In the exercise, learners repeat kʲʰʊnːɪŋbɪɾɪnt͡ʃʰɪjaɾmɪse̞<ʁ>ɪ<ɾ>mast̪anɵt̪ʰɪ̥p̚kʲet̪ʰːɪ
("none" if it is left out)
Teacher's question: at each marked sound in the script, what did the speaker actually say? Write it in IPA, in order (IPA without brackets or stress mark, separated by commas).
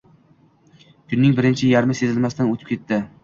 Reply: z, l